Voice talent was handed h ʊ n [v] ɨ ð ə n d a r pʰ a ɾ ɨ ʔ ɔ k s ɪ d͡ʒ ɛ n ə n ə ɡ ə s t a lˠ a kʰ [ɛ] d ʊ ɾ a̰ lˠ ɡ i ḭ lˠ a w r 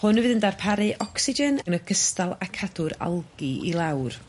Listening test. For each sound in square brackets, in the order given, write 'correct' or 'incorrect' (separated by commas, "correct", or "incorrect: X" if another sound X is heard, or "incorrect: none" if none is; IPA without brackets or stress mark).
correct, incorrect: a